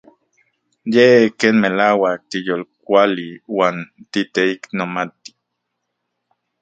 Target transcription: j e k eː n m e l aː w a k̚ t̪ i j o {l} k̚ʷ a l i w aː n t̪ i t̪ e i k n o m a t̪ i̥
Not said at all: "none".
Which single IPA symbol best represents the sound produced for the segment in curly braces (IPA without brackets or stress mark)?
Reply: l